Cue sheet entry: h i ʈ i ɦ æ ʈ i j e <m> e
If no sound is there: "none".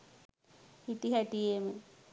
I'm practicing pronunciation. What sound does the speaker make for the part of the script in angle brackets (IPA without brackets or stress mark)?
m